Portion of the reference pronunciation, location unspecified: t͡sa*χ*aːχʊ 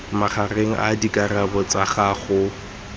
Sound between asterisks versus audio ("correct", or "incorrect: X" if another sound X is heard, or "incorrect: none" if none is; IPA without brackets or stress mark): correct